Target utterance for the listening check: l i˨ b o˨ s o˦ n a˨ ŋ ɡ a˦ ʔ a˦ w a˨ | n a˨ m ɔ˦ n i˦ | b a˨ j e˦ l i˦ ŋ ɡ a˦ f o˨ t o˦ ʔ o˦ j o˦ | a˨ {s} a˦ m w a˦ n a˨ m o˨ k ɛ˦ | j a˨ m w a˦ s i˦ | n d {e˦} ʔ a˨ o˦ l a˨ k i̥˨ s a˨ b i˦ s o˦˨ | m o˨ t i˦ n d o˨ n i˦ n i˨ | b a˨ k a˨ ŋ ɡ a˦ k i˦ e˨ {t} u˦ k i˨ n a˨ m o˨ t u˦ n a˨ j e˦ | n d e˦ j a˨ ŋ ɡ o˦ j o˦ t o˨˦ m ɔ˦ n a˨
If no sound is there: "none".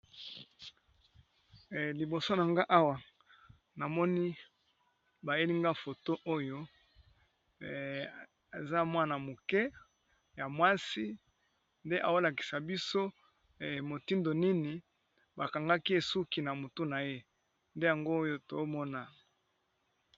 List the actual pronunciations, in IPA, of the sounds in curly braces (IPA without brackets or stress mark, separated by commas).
z, e˦, s